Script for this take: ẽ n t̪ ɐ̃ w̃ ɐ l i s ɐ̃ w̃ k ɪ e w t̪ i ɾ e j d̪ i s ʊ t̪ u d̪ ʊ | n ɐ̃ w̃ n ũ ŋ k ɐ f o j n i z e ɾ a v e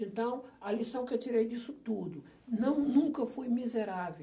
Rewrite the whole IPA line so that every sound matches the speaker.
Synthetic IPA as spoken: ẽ n t̪ ɐ̃ w̃ ɐ l i s ɐ̃ w̃ k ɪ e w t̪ i ɾ e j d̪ i s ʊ t̪ u d̪ ʊ | n ɐ̃ w̃ n ũ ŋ k ɐ f o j m i z e ɾ a v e